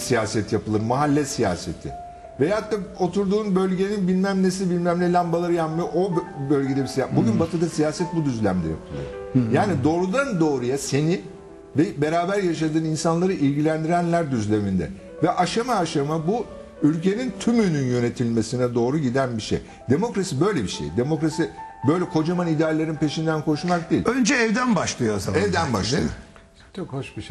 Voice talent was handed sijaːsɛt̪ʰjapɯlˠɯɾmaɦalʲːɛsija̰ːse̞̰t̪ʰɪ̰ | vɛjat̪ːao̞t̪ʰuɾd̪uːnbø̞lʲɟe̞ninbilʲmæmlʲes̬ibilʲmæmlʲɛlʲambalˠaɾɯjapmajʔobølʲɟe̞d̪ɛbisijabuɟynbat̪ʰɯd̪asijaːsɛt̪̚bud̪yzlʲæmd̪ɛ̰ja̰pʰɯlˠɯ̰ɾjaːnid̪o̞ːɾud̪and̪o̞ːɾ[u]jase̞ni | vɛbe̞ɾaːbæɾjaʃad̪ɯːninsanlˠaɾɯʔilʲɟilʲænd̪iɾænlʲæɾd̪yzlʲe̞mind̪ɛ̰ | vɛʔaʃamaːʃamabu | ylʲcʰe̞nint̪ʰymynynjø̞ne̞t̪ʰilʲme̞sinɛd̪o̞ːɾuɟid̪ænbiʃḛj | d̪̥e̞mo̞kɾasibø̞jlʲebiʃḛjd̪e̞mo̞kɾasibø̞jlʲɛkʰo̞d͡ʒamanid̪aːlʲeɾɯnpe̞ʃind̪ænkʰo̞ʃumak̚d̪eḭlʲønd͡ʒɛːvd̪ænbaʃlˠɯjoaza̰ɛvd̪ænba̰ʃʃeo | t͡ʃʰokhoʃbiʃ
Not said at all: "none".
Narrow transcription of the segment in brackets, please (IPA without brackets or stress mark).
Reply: u